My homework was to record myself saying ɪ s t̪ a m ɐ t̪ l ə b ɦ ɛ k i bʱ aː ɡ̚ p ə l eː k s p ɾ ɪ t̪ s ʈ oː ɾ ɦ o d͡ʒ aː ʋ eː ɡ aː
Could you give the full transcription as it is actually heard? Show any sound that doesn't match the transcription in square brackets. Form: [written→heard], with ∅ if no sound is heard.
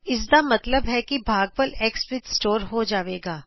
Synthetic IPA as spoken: ɪ s [t̪→d̪] a m ɐ t̪ l ə b ɦ ɛ k i bʱ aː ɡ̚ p ə l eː k s p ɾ ɪ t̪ s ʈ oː ɾ ɦ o d͡ʒ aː ʋ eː ɡ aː